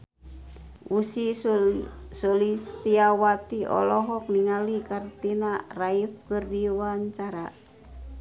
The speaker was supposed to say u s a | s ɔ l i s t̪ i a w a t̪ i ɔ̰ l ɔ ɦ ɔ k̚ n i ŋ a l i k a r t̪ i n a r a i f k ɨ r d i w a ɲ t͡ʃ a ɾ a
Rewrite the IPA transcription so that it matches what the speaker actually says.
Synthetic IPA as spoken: u s i | s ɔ l i s t̪ i a w a t̪ i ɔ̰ l ɔ ɦ ɔ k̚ n i ŋ a l i k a r t̪ i n a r a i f k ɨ r d i w a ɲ t͡ʃ a ɾ a